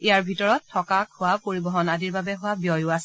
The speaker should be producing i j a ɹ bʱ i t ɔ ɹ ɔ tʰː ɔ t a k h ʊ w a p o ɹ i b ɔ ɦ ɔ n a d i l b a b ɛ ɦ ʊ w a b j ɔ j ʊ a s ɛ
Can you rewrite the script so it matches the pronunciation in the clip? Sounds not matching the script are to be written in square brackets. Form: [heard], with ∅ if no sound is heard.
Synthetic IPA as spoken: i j a ɹ bʱ i t ɔ ɹ ɔ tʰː ɔ [k] a k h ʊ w a p o ɹ i b ɔ ɦ ɔ n a d i [ɹ] b a b ɛ ɦ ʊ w a b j ɔ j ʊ a s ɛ